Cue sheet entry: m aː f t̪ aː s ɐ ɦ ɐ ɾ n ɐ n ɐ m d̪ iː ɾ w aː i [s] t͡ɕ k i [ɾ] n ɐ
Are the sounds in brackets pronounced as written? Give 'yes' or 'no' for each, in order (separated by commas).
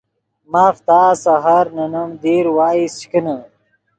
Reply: yes, no